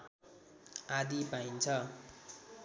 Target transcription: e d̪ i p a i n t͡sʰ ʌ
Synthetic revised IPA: a d̪ i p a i n t͡sʰ ʌ